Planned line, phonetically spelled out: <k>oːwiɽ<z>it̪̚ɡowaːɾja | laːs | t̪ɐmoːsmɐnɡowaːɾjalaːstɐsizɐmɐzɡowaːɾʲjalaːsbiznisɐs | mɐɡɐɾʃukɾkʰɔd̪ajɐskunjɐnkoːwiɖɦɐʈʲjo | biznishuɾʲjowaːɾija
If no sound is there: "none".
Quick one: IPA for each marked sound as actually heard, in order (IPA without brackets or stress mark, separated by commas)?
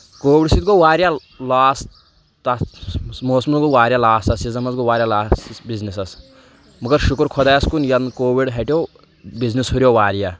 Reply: k, s